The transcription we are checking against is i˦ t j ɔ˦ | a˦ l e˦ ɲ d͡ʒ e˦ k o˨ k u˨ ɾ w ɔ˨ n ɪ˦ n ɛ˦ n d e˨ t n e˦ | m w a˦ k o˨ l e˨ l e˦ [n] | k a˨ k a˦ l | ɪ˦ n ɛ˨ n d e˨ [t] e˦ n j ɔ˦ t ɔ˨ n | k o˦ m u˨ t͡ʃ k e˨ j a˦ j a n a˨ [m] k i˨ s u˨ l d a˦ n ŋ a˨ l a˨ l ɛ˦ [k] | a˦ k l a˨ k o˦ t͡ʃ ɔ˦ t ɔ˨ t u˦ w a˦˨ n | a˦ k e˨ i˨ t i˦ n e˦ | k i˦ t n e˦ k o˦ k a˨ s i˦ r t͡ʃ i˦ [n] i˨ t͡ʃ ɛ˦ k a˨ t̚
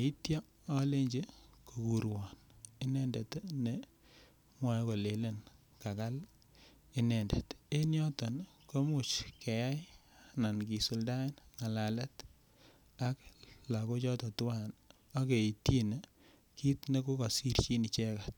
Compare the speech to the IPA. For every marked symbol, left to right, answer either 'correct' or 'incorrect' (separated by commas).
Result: correct, correct, incorrect, incorrect, correct